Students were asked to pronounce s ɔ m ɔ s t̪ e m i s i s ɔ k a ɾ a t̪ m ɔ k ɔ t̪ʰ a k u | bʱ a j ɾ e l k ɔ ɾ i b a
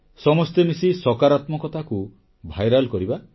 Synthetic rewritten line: s ɔ m ɔ s t̪ e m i s i s ɔ k a ɾ a t̪ m ɔ k ɔ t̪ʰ a k u | bʱ a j ɾ a l k ɔ ɾ i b a